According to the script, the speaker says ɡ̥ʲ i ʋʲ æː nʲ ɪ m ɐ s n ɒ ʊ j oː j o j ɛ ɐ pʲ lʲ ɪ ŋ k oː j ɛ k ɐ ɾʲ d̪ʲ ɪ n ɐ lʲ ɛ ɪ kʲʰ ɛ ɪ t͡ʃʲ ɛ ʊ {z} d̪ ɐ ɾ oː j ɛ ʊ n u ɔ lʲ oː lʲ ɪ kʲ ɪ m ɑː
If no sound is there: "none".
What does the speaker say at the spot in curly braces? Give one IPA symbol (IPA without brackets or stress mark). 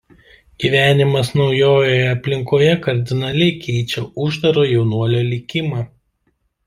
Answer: ʒ